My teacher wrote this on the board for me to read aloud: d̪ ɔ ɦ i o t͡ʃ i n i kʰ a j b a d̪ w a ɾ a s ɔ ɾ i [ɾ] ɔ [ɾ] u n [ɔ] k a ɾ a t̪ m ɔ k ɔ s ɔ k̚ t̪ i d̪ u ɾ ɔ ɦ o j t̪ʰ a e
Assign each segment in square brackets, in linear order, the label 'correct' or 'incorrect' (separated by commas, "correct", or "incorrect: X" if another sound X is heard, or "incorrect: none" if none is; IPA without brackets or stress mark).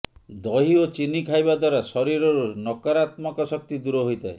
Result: correct, correct, correct